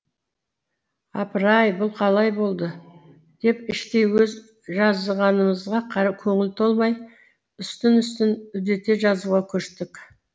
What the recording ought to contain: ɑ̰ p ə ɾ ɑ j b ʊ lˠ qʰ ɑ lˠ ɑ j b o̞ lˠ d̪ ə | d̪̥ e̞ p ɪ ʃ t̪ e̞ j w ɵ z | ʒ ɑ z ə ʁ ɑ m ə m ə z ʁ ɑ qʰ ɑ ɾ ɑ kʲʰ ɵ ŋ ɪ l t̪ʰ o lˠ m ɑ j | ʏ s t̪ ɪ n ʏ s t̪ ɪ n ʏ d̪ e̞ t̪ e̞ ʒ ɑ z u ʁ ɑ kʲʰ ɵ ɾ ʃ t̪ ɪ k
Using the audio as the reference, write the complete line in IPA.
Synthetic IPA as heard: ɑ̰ p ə ɾ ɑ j b ʊ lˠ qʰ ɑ lˠ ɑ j b o̞ lˠ d̪ ə | d̪̥ e̞ p ɪ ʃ t̪ e̞ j w ɵ z | ʒ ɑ z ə ʁ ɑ n ə m ə z ʁ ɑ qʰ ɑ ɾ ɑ kʲʰ ɵ ŋ ɪ l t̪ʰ o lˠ m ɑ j | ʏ s t̪ ɪ n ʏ s t̪ ɪ n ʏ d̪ e̞ t̪ e̞ ʒ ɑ z u ʁ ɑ kʲʰ ɵ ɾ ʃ t̪ ɪ k